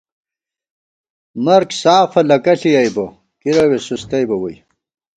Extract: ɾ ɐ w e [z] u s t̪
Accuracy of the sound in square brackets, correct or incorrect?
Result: incorrect